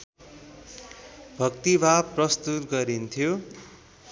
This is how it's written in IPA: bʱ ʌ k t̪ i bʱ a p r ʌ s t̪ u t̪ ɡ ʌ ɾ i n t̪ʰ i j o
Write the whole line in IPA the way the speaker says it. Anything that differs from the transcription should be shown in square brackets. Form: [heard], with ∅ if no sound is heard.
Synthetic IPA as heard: bʱ ʌ k t̪ i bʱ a p r ʌ s t̪ u t̪ ɡ ʌ ɾ i n t̪ʰ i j o